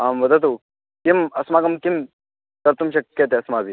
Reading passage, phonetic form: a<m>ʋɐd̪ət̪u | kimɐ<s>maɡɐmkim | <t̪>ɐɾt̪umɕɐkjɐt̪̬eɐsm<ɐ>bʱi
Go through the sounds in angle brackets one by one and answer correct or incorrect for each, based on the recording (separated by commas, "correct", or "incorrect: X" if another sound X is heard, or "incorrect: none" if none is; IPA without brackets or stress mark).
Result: correct, correct, correct, incorrect: a